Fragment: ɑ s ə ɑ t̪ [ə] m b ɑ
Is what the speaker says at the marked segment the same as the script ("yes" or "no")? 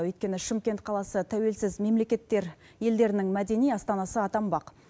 no